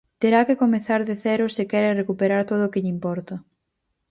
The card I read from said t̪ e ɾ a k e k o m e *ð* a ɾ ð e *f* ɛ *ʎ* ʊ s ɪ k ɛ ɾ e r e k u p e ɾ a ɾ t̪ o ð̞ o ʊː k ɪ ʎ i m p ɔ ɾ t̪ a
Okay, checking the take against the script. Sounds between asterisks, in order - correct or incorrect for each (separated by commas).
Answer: incorrect, incorrect, incorrect